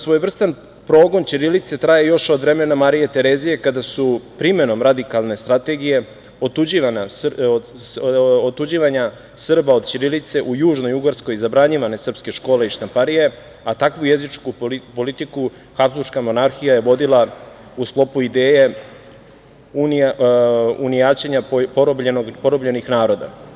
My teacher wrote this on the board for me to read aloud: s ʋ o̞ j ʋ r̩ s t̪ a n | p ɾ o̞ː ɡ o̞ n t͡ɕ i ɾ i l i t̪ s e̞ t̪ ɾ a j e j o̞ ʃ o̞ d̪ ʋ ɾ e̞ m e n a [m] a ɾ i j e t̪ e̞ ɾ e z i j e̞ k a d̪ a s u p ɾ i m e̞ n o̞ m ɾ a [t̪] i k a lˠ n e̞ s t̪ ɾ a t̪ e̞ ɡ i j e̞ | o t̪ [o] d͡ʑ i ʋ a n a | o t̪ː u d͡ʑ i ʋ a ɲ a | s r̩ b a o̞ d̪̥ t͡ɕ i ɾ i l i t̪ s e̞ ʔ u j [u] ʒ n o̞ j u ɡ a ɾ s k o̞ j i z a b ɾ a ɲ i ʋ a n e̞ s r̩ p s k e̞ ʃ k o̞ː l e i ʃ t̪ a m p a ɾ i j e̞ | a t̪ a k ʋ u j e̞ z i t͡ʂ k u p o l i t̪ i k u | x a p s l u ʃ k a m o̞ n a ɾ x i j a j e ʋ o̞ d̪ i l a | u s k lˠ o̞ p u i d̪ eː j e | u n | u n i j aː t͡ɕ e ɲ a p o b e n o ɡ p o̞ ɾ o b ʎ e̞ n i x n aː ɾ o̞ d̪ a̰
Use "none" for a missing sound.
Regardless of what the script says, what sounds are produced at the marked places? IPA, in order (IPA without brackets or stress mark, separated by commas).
m, d̪, u, uː